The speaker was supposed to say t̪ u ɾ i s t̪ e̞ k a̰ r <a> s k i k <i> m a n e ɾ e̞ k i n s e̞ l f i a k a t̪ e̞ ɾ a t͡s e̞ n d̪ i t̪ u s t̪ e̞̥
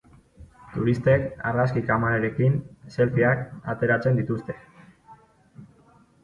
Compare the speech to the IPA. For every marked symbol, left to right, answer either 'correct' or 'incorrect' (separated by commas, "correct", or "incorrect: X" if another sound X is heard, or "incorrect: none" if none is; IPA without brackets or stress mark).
correct, incorrect: a